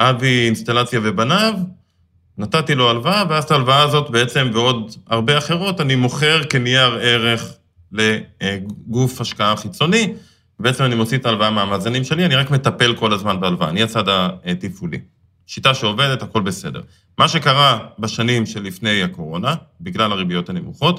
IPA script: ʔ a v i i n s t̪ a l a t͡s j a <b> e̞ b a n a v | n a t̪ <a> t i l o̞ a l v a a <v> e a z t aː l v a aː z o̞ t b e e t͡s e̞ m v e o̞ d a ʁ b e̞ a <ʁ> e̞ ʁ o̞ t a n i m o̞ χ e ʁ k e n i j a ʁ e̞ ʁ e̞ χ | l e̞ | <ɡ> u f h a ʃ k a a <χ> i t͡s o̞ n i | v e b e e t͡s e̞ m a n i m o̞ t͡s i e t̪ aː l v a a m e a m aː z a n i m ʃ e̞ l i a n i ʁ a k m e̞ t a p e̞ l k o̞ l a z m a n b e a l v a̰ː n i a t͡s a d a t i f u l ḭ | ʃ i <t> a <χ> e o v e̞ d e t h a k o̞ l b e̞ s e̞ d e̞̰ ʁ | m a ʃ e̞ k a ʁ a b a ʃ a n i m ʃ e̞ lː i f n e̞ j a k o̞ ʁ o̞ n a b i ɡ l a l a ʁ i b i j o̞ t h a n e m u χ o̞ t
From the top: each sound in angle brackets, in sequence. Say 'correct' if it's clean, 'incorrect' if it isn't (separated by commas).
incorrect, correct, correct, incorrect, correct, correct, correct, incorrect